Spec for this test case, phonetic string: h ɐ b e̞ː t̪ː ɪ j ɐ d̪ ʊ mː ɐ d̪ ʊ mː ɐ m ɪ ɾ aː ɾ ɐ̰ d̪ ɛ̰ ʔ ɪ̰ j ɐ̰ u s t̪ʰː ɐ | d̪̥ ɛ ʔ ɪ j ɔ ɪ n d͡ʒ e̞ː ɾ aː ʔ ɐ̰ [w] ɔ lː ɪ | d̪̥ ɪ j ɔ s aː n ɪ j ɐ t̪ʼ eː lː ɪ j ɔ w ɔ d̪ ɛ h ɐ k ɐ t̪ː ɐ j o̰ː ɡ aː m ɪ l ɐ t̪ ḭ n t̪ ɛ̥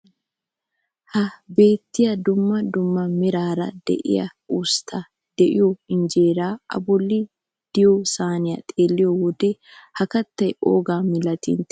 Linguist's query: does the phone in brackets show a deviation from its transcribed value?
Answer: yes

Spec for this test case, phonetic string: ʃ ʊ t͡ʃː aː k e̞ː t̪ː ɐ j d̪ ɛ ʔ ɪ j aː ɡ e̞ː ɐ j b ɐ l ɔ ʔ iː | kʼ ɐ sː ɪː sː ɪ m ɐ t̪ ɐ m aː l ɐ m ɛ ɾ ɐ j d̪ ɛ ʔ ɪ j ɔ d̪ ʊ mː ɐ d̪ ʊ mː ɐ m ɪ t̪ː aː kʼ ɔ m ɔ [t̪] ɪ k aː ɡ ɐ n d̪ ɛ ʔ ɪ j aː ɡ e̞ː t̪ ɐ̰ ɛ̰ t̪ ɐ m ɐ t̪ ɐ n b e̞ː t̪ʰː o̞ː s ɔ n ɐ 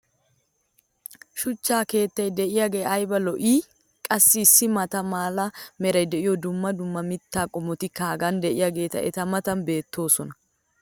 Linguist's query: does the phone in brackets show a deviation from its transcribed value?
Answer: no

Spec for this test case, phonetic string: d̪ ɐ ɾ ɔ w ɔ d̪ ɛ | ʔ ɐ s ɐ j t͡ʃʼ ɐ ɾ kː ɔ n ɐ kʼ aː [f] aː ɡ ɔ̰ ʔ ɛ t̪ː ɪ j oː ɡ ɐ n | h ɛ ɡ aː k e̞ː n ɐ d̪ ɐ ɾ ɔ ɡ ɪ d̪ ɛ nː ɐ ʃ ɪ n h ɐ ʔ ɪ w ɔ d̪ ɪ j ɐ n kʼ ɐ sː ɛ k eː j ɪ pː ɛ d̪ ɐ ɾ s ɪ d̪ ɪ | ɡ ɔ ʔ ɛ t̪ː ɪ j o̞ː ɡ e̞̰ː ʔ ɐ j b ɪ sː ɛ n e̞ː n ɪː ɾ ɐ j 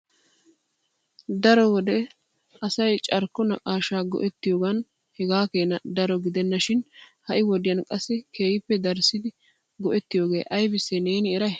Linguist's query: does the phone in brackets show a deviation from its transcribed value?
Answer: yes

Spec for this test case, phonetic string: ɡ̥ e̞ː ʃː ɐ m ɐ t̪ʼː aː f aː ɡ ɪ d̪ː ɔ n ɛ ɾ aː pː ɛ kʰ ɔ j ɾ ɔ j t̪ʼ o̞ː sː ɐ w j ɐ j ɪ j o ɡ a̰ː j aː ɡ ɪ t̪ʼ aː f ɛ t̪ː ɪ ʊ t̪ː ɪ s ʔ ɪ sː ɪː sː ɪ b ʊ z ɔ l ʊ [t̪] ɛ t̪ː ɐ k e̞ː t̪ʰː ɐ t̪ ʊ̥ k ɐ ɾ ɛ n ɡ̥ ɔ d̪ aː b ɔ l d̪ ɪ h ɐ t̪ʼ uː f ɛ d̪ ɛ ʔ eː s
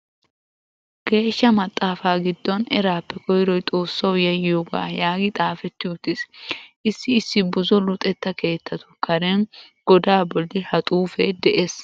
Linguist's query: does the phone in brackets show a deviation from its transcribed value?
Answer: yes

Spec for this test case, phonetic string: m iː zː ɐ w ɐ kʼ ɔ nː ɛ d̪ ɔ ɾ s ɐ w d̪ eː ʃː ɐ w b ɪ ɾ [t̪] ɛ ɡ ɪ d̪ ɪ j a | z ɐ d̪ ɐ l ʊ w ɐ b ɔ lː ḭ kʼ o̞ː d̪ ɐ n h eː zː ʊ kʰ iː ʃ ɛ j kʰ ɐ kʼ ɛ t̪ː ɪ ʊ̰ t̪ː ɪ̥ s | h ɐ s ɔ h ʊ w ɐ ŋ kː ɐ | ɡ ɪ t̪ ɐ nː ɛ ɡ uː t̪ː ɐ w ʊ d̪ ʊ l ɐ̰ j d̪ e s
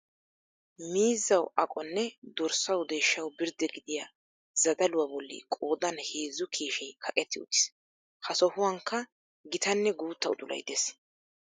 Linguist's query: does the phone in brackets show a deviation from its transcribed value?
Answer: yes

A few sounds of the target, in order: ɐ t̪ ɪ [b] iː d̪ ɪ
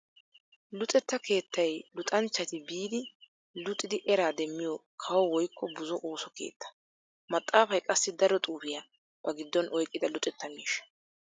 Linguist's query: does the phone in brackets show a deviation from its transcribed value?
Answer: no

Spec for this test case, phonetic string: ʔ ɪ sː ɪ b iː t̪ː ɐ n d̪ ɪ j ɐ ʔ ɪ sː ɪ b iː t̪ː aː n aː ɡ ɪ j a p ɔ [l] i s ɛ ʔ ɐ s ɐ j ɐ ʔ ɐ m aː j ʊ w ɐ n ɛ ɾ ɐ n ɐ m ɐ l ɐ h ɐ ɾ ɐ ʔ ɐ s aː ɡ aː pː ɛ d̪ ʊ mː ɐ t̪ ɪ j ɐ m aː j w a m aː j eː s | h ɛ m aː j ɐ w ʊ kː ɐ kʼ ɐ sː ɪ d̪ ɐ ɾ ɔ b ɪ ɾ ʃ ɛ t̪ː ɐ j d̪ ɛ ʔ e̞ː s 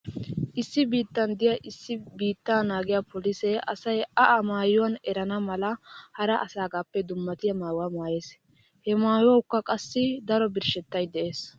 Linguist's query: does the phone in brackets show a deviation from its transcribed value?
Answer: no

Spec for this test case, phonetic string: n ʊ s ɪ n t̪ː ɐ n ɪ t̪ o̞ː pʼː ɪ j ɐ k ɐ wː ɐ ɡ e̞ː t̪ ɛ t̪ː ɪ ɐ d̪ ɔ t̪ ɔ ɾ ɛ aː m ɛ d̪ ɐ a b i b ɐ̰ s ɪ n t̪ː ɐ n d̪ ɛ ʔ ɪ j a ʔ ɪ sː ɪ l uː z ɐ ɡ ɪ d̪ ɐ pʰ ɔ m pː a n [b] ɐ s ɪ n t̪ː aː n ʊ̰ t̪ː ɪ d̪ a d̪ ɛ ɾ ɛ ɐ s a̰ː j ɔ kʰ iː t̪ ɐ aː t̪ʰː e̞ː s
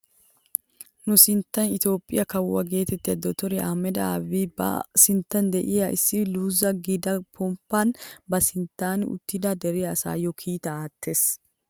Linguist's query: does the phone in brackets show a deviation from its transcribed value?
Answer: no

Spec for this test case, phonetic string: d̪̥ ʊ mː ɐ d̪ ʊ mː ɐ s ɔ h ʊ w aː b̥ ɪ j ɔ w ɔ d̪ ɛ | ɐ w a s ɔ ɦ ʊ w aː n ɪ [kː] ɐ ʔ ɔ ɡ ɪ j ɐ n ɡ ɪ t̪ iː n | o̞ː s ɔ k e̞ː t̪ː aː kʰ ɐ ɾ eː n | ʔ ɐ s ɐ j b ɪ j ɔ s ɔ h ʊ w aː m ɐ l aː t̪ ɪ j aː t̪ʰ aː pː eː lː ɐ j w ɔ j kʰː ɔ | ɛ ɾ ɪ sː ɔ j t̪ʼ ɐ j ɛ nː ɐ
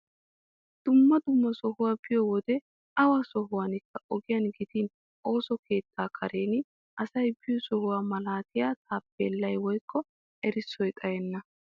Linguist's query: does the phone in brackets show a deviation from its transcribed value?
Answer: no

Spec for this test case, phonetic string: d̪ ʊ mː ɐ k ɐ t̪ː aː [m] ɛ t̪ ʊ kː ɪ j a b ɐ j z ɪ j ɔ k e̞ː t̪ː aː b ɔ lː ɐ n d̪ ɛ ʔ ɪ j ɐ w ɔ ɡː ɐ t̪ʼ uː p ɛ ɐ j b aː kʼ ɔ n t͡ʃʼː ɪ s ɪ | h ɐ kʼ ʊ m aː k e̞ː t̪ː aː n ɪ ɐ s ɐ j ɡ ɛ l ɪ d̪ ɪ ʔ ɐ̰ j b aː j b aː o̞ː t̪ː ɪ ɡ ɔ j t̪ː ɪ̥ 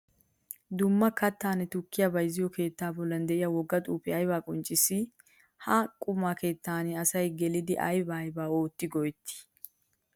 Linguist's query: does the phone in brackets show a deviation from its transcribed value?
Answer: yes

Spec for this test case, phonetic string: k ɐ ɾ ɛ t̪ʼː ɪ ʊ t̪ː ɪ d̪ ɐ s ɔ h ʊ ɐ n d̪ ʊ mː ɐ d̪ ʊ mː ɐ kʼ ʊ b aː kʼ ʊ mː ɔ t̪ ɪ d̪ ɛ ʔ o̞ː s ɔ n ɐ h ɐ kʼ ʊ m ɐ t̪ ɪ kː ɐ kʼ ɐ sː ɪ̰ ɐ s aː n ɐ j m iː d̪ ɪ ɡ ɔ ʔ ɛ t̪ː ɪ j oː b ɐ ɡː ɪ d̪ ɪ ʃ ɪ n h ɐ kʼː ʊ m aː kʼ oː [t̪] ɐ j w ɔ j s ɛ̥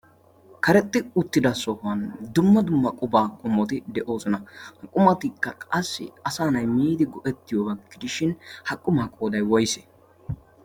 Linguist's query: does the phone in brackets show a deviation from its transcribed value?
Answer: yes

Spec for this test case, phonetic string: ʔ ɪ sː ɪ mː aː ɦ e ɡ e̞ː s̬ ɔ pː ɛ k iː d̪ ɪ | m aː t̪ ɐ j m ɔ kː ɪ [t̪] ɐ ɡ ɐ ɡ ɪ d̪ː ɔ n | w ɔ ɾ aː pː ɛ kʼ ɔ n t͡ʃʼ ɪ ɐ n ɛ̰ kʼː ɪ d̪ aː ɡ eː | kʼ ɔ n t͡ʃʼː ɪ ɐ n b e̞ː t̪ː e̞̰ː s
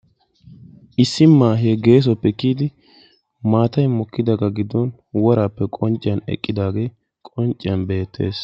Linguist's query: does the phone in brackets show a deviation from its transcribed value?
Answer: yes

